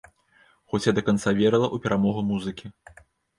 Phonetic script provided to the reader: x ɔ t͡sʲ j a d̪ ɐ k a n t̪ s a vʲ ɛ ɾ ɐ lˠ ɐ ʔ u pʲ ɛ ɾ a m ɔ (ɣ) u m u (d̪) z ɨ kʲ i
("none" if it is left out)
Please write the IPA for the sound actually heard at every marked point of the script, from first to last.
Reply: ɣ, none

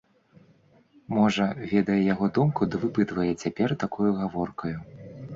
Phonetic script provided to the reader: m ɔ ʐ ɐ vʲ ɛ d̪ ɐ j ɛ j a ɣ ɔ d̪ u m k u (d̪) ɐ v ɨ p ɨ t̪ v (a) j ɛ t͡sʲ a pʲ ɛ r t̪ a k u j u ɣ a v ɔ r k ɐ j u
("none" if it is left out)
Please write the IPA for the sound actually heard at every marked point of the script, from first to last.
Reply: d̪, ɐ

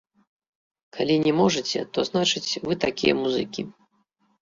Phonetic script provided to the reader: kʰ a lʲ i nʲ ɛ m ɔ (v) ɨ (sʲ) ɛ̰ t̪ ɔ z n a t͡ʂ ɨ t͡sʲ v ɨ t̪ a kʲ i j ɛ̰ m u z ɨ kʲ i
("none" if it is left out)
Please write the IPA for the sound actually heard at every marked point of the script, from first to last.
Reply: ʐ, t͡sʲ

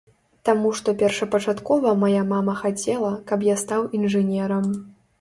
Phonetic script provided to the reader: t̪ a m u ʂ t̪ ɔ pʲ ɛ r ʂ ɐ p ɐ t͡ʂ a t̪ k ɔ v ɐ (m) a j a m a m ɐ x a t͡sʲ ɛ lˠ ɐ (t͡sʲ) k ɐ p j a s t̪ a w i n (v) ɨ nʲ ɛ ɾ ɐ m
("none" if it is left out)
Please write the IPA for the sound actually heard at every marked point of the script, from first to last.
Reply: m, none, ʐ

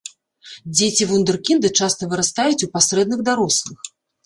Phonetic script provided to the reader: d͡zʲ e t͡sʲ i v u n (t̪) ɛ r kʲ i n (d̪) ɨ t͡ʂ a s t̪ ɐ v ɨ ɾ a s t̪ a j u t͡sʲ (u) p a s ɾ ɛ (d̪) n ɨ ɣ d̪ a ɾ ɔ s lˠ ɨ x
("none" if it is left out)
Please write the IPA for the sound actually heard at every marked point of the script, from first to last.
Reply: d̪, d̪, u, d̪

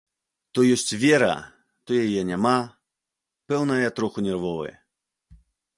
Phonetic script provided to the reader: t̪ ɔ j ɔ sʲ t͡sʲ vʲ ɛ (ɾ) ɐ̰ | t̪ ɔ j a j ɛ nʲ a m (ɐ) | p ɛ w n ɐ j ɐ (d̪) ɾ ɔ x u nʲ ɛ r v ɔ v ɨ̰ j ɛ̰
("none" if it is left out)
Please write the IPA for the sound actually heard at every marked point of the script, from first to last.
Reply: ɾ, a, t̪

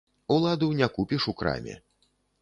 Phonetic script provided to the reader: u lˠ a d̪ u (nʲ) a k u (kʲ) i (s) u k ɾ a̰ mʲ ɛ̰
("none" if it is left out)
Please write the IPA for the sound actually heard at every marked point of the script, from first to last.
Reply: nʲ, pʲ, ʂ

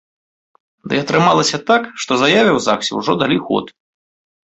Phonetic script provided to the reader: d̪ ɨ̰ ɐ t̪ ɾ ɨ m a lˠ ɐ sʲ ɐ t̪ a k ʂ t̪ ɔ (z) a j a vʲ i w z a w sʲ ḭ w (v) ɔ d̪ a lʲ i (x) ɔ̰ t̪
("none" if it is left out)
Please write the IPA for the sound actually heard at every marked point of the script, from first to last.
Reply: z, ʐ, x

